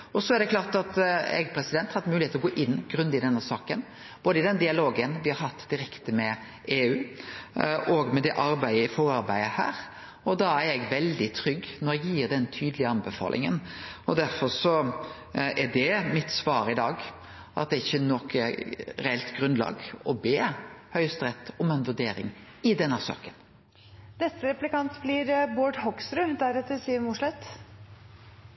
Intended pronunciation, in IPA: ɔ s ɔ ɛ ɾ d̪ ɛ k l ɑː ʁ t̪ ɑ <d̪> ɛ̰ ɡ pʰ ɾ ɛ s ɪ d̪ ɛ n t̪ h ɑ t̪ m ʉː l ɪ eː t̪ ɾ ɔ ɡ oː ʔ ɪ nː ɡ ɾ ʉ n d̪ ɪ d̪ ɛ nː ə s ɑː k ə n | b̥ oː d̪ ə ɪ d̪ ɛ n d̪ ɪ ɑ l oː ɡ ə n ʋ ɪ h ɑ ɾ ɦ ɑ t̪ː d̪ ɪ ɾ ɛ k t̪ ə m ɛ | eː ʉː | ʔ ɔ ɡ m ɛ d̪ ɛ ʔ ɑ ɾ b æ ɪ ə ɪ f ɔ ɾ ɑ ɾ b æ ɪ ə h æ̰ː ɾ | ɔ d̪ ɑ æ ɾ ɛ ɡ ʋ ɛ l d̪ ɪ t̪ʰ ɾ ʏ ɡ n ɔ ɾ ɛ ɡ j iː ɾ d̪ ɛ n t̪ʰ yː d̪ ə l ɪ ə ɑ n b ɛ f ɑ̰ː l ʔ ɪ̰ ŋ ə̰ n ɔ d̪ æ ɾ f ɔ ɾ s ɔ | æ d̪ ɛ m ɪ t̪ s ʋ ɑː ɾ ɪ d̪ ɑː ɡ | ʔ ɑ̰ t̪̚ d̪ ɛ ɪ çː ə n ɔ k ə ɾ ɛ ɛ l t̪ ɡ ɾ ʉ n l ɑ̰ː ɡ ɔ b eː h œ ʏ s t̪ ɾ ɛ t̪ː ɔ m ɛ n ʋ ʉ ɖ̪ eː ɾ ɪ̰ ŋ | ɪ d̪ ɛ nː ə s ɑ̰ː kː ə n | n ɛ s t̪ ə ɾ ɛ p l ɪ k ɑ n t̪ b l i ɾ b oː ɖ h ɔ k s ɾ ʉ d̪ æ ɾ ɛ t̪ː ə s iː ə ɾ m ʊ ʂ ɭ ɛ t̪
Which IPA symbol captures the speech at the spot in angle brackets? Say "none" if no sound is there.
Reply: t̪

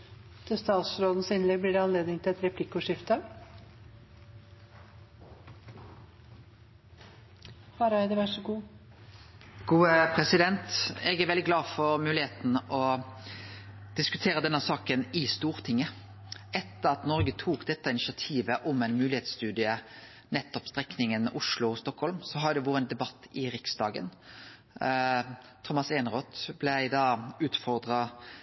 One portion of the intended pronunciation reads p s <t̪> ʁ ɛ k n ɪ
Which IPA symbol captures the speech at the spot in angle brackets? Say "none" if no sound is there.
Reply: t̪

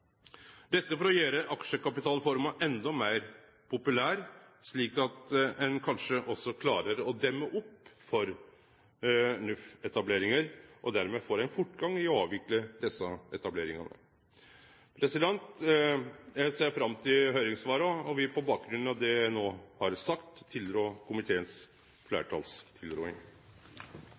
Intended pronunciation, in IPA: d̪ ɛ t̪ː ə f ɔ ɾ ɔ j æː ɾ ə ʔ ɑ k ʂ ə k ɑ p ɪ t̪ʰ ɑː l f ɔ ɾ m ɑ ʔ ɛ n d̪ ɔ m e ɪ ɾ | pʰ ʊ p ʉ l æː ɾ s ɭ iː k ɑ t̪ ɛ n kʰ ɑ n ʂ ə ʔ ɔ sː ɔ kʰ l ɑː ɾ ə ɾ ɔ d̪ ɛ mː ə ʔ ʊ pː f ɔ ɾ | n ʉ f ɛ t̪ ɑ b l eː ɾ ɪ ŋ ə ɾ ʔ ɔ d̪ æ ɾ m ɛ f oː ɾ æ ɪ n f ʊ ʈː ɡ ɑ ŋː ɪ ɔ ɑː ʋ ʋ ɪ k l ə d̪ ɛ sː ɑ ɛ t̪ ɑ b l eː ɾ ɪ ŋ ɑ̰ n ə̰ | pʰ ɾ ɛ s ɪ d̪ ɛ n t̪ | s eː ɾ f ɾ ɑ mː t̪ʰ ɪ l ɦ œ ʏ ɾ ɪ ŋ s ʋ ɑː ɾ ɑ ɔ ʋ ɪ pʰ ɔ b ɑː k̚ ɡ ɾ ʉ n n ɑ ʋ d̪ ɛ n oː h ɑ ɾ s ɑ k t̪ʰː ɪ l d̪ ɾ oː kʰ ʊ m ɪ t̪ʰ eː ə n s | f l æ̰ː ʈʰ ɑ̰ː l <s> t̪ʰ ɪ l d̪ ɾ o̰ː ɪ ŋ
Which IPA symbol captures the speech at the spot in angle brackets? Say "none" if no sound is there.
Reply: s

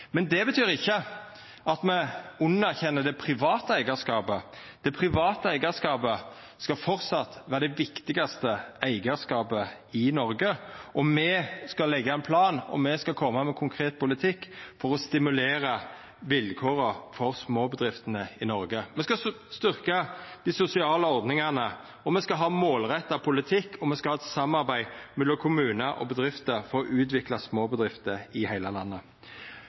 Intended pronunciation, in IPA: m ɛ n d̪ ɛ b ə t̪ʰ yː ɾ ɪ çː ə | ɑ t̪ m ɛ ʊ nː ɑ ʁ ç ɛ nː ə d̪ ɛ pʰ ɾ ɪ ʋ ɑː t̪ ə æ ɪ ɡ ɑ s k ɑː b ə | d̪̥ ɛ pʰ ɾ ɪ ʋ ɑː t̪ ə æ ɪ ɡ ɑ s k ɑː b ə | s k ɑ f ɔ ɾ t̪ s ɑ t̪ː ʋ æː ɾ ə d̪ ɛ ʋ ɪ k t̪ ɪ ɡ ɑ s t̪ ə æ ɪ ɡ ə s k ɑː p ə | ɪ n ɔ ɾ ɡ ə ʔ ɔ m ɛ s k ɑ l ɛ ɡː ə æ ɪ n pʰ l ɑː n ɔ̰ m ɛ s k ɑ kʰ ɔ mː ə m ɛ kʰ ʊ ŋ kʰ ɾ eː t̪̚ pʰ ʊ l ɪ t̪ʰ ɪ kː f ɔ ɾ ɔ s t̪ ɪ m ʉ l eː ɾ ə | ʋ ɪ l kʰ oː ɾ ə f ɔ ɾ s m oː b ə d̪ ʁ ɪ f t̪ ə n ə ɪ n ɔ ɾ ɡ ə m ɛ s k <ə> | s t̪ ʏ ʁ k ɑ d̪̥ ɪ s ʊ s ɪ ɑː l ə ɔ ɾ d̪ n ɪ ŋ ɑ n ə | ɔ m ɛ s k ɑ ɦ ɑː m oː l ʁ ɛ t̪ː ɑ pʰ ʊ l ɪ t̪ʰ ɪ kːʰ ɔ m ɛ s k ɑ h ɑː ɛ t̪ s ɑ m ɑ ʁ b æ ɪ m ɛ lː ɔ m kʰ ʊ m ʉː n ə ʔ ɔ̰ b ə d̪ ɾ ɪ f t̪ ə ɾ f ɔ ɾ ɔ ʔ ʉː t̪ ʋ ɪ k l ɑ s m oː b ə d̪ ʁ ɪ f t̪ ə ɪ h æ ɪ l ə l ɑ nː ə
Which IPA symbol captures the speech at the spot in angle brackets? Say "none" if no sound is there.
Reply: ɑ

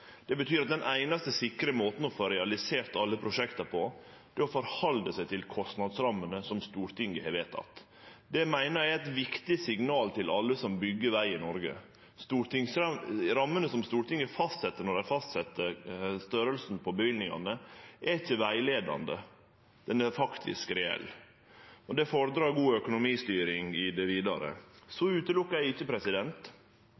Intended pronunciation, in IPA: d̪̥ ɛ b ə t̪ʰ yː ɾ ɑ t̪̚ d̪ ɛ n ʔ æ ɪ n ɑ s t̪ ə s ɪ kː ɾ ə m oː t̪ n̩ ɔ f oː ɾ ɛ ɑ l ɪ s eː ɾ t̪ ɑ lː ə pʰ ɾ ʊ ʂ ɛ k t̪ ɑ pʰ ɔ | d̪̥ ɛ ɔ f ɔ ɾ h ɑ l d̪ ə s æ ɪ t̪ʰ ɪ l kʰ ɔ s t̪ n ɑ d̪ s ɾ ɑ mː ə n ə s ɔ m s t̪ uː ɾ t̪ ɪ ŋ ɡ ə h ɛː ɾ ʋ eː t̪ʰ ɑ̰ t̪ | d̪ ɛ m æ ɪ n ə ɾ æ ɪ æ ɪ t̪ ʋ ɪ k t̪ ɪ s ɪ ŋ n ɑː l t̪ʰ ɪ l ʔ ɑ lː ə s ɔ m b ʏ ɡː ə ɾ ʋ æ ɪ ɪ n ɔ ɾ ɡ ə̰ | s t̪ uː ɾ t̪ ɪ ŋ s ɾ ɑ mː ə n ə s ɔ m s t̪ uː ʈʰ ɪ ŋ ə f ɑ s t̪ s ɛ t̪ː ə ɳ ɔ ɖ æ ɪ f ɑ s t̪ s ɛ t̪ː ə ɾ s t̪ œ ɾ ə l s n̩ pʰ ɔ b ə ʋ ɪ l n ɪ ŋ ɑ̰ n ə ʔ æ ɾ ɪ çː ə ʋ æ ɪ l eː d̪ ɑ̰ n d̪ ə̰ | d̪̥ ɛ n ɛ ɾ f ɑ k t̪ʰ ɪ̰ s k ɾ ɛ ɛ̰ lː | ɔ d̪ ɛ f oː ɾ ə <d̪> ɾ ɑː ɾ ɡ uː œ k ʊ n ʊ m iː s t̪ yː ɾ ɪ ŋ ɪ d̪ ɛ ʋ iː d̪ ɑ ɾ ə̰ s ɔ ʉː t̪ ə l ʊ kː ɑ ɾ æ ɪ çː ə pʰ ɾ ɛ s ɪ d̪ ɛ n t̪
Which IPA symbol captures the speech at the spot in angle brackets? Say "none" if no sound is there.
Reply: d̪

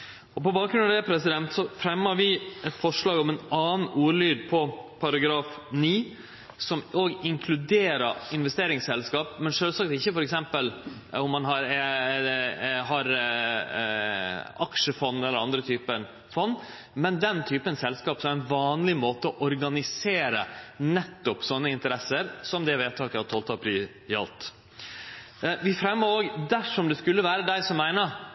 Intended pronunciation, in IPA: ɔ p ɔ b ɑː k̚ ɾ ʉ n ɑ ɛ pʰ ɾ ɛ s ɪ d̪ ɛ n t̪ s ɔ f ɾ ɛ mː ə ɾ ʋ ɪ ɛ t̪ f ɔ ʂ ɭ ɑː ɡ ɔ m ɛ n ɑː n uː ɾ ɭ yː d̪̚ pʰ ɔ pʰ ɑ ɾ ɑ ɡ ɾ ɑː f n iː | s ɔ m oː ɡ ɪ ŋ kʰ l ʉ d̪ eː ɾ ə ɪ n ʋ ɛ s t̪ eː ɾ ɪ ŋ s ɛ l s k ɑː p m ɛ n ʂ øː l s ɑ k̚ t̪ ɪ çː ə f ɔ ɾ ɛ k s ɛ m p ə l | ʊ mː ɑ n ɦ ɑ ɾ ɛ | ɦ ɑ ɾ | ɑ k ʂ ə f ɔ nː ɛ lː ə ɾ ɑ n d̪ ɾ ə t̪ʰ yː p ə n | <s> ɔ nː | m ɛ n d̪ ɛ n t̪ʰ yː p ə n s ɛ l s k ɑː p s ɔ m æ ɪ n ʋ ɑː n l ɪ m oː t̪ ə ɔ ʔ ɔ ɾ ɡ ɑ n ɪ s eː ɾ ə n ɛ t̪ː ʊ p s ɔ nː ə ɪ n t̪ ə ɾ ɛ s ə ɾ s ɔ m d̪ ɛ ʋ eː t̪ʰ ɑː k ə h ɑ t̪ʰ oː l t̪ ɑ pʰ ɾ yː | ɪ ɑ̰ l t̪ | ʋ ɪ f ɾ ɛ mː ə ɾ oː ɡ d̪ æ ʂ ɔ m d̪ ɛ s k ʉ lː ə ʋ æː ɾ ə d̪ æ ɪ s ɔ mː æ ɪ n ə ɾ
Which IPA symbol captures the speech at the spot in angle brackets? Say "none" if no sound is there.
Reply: f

